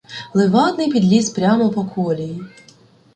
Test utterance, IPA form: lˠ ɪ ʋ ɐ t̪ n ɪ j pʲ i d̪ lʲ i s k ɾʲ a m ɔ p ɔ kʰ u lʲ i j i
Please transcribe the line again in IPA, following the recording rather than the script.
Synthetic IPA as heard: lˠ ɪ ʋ ɑ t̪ n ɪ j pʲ i d̪ lʲ i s p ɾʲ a m ɔ p ɔ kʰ ɔ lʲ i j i